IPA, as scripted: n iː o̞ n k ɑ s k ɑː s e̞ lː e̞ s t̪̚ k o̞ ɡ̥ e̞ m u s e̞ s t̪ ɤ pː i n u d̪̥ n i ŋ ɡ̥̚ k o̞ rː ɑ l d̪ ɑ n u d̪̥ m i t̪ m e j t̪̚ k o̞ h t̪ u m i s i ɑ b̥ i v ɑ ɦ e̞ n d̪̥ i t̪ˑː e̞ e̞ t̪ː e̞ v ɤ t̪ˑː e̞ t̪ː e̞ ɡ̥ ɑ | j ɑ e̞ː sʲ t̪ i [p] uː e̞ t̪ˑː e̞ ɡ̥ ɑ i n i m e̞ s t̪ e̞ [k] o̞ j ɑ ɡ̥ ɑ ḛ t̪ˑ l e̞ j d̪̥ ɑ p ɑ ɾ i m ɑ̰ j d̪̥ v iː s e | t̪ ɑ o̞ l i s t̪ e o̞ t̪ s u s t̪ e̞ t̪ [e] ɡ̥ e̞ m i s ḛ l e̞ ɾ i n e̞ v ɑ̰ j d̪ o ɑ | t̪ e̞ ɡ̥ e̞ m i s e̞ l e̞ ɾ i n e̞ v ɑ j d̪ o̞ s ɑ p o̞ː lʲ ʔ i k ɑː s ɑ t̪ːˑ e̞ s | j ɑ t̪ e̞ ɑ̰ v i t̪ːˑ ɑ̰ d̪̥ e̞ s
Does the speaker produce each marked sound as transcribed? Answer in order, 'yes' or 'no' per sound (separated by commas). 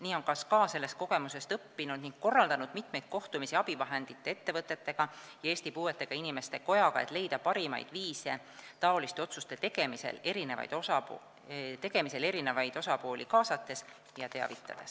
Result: yes, yes, yes